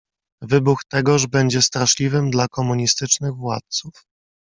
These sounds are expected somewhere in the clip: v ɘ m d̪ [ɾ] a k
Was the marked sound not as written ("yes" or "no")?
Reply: yes